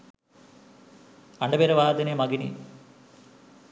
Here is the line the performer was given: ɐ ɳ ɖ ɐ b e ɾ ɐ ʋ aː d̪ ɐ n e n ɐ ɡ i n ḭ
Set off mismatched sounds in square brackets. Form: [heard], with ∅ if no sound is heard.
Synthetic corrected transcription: ɐ ɳ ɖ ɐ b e ɾ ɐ ʋ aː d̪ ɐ n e [m] ɐ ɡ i n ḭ